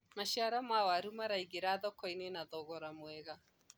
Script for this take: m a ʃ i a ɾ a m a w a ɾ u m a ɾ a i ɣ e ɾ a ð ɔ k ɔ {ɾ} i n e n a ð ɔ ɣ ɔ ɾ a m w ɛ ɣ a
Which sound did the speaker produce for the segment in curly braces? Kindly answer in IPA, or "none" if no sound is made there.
none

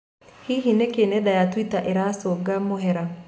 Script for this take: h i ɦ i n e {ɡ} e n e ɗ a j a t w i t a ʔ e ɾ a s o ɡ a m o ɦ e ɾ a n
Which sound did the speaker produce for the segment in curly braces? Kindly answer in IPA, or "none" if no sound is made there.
k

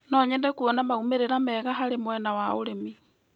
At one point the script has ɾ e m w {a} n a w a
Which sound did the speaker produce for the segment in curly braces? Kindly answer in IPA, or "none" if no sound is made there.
ɛ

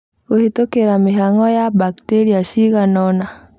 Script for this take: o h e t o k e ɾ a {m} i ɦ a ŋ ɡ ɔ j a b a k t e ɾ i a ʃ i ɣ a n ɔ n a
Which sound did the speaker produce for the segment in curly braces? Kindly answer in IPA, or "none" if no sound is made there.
m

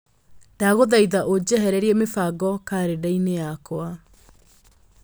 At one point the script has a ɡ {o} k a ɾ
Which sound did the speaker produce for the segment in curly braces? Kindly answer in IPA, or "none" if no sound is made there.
ɔ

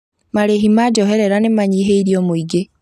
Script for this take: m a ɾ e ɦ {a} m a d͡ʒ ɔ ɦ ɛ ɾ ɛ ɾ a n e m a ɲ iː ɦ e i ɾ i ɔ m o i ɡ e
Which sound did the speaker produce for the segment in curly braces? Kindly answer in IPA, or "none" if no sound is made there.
i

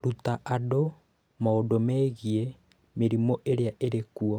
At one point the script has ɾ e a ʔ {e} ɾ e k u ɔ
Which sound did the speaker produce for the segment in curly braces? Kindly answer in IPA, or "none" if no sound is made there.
e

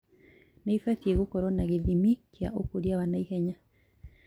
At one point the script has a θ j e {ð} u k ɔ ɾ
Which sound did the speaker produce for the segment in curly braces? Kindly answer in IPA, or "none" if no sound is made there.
ɣ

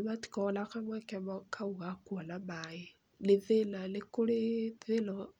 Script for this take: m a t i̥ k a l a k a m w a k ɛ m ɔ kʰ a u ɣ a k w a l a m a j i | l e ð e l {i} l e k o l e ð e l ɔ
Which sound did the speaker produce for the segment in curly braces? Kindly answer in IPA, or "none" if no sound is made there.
a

